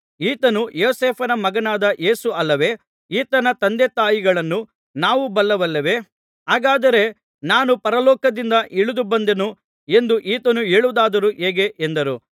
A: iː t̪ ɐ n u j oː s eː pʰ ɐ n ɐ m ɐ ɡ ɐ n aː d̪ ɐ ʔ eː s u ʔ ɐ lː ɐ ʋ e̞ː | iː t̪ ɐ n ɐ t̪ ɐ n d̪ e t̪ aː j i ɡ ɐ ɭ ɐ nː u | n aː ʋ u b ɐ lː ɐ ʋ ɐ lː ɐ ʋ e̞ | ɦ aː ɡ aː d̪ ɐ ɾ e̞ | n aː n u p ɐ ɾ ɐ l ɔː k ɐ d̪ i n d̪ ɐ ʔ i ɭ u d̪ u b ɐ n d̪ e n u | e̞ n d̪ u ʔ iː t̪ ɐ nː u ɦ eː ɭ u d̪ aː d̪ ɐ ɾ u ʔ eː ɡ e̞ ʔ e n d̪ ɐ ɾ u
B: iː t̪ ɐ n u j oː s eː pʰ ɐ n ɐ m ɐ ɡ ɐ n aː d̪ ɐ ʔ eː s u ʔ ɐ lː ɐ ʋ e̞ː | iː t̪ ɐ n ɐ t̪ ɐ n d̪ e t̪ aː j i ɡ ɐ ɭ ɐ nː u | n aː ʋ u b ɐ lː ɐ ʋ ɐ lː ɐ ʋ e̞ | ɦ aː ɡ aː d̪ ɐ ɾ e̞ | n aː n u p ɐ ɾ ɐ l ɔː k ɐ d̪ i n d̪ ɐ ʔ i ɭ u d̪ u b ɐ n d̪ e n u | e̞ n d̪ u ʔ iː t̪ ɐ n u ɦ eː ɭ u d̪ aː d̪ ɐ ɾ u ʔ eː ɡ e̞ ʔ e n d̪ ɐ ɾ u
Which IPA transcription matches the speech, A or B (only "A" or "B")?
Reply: B